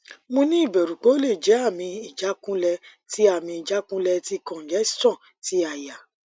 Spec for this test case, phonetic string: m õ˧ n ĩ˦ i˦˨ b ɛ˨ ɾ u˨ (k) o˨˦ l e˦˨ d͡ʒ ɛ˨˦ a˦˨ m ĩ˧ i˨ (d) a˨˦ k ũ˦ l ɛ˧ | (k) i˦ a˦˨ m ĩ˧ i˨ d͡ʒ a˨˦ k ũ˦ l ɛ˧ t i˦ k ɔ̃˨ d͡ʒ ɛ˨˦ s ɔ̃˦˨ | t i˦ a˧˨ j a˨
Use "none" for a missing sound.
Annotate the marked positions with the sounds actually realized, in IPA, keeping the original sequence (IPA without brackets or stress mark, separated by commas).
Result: k͡p, d͡ʒ, t